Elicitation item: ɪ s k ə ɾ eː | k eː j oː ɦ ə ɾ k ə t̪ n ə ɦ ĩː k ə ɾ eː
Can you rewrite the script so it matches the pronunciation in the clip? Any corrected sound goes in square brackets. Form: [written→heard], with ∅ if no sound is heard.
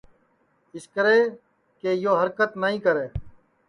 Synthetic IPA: ɪ s k ə ɾ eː | k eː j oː ɦ ə ɾ k ə t̪ n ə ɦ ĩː k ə ɾ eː